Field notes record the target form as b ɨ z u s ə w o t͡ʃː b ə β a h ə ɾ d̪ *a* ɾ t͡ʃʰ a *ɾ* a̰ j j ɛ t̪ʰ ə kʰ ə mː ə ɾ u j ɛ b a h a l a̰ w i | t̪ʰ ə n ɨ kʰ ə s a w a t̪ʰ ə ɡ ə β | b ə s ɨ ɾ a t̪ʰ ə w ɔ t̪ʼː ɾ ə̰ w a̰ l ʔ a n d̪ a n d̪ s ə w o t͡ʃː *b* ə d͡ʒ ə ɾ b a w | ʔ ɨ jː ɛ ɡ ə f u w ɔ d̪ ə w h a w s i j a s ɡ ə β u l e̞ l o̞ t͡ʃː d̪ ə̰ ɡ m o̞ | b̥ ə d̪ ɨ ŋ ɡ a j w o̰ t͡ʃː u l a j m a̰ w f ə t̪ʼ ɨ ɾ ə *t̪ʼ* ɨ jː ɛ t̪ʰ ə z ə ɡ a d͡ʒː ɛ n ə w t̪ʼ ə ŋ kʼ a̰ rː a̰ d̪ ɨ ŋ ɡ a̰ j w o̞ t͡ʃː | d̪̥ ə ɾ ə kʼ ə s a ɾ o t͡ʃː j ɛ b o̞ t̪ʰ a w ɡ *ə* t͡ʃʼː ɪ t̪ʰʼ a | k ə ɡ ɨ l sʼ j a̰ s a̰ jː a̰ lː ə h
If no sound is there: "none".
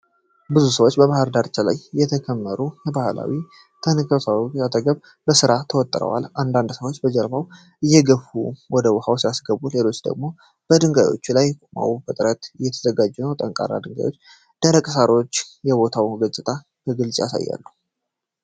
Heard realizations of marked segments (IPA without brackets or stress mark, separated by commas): a, l, b, t̪, ə